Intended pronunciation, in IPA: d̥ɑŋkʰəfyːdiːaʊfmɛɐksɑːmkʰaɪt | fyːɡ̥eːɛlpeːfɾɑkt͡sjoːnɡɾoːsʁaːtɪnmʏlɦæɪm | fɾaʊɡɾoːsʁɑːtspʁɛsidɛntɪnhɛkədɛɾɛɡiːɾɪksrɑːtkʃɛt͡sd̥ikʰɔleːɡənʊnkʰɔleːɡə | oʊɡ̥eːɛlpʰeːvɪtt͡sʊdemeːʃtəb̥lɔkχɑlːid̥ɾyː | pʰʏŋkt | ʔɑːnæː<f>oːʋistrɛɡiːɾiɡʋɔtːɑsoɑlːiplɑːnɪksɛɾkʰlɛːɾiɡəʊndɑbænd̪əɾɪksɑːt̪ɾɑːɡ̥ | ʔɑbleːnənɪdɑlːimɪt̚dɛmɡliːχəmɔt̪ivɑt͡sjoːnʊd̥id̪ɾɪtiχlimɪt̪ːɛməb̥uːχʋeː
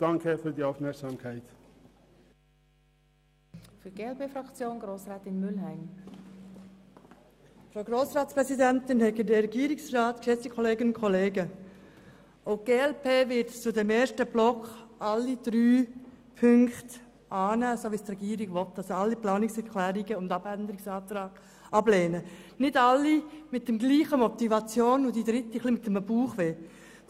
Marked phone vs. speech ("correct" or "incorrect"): incorrect